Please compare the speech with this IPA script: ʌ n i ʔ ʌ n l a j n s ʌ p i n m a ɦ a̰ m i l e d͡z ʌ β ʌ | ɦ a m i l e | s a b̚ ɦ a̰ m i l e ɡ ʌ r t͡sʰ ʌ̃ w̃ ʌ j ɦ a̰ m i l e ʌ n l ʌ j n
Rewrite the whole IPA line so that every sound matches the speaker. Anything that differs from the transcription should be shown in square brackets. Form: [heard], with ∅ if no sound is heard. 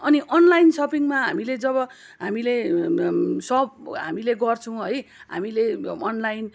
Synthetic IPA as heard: ʌ n i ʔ ʌ n l a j n s ʌ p i [ŋ] m a ɦ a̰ m i l e d͡z ʌ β ʌ | ɦ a m i l e | s [ʌ] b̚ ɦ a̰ m i l e ɡ ʌ r t͡sʰ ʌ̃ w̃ ʌ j ɦ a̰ m i l e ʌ n l [a] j n